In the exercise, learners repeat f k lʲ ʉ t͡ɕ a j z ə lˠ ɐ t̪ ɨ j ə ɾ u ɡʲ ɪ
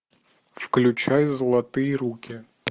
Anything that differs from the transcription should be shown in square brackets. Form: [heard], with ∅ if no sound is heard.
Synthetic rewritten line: f k lʲ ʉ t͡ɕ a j z ə lˠ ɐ t̪ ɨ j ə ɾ u [kʲ] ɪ